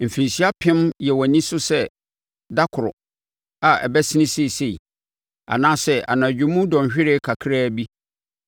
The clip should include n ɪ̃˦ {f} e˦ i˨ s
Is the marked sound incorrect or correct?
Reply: incorrect